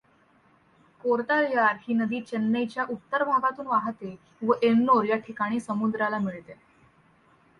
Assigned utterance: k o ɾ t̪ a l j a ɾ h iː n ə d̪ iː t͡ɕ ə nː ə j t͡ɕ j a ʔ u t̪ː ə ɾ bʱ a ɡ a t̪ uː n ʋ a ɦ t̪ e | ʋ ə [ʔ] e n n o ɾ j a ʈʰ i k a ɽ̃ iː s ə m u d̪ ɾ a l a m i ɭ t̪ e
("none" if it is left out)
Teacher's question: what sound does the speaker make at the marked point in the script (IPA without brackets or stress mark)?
ʔ